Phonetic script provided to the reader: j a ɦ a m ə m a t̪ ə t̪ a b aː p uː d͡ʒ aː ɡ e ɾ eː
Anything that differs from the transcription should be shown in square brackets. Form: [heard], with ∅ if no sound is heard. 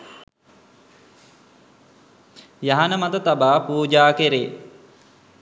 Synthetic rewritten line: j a ɦ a [n] ə m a t̪ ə t̪ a b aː p uː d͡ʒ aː [k] e ɾ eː